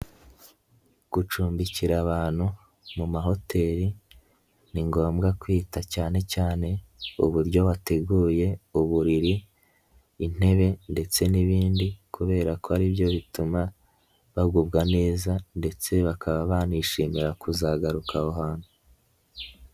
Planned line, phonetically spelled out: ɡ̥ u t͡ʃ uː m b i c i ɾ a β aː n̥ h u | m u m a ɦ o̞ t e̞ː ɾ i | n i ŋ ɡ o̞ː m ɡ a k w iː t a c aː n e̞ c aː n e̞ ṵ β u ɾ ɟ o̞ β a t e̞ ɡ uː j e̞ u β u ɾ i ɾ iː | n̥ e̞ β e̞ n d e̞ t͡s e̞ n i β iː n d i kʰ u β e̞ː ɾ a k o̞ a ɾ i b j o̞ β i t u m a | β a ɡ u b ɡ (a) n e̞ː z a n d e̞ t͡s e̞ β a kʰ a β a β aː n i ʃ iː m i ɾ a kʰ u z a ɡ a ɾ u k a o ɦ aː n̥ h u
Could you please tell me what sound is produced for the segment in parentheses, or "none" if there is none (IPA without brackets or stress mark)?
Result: a